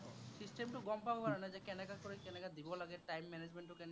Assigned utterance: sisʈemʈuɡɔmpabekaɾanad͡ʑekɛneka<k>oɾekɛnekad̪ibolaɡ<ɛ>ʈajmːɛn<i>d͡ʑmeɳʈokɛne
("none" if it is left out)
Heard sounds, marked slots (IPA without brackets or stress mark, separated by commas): k, e, e